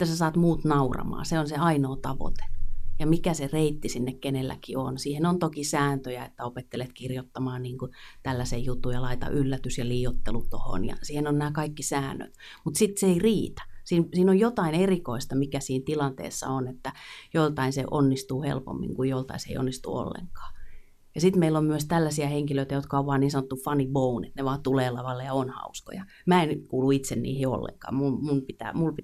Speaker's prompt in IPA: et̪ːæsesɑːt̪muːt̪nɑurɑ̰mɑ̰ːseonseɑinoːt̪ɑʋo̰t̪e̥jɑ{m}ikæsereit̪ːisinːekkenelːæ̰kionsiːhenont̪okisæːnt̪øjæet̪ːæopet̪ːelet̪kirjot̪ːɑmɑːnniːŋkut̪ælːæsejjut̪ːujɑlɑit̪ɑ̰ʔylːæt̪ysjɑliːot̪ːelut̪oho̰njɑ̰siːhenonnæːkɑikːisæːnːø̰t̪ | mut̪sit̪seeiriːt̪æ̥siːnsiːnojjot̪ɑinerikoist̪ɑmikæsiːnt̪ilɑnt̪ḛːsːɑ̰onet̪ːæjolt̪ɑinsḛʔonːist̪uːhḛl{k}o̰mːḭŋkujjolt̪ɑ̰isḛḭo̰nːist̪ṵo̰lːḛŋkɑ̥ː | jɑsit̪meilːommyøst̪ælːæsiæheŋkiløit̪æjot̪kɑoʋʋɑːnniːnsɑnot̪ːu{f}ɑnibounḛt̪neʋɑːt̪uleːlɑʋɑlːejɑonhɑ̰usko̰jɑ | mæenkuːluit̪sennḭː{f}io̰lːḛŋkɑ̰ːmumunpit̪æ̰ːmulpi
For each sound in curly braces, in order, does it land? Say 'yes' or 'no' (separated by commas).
yes, no, yes, no